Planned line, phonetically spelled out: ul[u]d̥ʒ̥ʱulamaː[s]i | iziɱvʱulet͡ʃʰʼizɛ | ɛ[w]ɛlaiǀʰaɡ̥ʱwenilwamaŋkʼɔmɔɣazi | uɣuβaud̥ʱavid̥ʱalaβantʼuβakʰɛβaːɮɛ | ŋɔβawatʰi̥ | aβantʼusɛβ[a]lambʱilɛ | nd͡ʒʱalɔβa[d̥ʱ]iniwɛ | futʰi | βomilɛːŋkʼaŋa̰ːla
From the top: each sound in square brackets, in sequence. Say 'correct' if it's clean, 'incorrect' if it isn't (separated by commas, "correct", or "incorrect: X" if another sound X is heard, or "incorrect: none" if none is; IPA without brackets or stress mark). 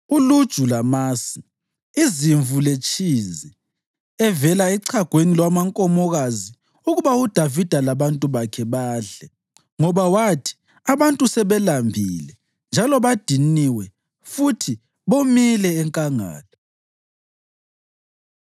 correct, correct, incorrect: v, incorrect: ɛ, correct